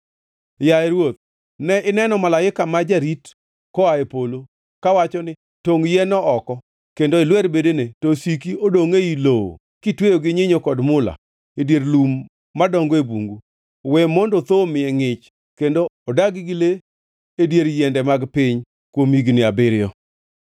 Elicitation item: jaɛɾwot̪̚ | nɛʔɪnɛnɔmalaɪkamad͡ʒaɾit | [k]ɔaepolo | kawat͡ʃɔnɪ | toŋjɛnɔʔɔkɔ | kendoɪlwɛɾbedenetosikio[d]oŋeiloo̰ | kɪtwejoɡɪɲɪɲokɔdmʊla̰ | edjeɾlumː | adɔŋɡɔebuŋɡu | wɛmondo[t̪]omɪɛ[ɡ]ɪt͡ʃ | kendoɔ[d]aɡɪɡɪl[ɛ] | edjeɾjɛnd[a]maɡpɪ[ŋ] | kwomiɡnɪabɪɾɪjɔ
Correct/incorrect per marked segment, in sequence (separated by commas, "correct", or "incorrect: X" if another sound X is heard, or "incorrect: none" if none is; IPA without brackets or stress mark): correct, correct, correct, incorrect: ŋ, correct, incorrect: e, incorrect: ɛ, incorrect: ɲ